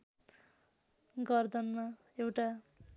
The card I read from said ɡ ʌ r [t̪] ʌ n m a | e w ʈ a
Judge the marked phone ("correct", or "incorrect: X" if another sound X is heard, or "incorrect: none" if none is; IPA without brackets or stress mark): incorrect: d̪